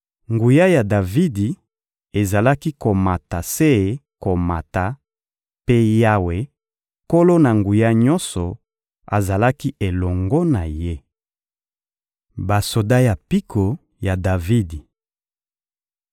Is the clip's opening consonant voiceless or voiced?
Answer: voiced